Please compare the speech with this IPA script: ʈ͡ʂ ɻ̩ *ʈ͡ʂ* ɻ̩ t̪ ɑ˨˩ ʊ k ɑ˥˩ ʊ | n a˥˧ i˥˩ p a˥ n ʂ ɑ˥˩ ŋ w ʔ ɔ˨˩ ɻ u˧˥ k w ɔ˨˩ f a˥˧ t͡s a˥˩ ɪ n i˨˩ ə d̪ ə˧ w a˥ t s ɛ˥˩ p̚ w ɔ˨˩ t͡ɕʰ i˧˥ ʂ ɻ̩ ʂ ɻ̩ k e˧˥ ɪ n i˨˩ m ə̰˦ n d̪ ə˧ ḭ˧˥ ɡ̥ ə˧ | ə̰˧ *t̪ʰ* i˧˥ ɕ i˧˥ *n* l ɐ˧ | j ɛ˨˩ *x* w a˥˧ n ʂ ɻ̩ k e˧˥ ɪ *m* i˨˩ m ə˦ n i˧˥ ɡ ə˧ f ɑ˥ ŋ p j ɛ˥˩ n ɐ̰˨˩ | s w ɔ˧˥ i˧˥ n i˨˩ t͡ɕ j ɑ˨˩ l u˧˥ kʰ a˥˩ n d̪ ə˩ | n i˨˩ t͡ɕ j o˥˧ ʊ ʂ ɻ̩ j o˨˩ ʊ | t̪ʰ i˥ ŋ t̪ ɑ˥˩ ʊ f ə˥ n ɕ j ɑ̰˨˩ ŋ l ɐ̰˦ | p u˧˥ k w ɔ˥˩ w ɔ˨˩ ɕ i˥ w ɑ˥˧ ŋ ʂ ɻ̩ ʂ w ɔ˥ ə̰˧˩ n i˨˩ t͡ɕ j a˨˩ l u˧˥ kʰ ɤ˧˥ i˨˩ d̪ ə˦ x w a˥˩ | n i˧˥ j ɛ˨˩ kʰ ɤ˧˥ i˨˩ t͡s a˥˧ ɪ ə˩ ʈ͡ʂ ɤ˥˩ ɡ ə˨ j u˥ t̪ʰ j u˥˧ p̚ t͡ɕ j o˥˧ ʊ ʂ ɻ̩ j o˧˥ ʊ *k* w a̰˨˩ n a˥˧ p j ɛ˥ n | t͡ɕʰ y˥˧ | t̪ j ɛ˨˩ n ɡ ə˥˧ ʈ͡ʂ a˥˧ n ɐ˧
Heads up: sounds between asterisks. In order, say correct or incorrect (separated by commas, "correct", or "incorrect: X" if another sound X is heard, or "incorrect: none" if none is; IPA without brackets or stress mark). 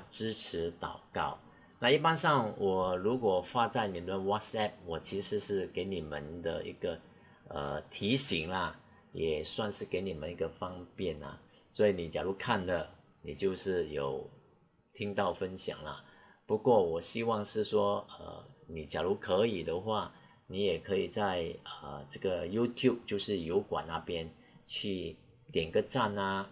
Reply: incorrect: ʈ͡ʂʰ, correct, incorrect: ŋ, incorrect: s, incorrect: n, correct